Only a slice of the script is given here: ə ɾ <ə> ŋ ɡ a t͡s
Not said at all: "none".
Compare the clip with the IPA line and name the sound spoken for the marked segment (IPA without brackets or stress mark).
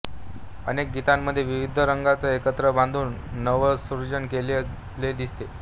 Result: ə